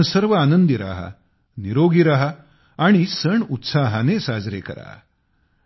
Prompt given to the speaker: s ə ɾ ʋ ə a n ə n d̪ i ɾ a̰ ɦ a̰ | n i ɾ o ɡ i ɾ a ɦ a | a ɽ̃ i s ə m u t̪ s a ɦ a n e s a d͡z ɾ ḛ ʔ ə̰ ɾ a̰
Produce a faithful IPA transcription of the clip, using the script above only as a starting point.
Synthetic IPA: s ə ɾ ʋ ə a n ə n d̪ i ɾ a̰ ɦ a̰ | n i ɾ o ɡ i ɾ a ɦ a | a ɽ̃ i s ə ɳ u t̪ s a ɦ a n e s a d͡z ɾ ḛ k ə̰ ɾ a̰